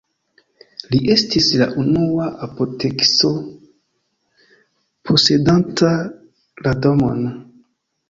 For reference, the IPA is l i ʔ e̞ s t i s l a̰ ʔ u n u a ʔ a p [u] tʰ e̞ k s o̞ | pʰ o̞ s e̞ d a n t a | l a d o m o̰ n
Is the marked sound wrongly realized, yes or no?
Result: yes